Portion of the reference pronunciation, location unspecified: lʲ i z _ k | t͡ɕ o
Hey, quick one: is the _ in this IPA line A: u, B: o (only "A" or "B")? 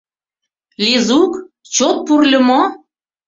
A